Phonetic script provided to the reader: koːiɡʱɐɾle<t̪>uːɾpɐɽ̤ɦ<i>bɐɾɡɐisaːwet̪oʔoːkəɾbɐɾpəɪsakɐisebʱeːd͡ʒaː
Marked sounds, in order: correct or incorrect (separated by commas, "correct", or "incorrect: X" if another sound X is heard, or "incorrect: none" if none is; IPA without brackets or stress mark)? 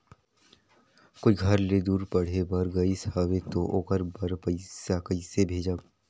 incorrect: d̪, incorrect: e